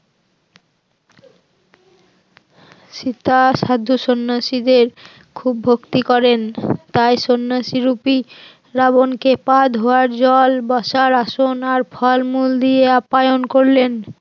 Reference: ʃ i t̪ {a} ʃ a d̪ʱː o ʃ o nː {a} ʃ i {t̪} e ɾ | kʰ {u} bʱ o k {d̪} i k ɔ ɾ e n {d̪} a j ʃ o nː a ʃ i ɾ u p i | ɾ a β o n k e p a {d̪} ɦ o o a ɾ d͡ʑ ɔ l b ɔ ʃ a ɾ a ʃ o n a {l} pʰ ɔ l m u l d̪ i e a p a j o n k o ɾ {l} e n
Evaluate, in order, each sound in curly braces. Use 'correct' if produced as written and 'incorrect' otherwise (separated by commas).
correct, correct, incorrect, correct, incorrect, incorrect, correct, incorrect, correct